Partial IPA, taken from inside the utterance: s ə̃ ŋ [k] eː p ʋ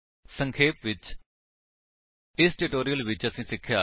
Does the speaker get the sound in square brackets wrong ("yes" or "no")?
yes